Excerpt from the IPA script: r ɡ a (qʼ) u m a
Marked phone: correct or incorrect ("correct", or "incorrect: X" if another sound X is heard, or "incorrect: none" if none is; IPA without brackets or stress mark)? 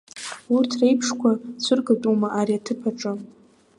incorrect: tʼ